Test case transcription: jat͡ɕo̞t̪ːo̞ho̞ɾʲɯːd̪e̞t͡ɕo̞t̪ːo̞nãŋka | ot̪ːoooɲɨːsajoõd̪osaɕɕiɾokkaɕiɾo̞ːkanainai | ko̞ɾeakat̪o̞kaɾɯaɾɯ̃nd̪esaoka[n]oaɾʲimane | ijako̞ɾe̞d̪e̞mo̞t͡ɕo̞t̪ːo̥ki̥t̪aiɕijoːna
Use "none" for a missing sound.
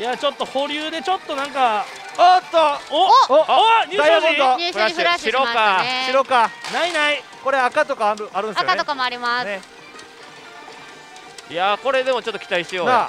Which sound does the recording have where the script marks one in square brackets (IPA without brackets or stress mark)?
m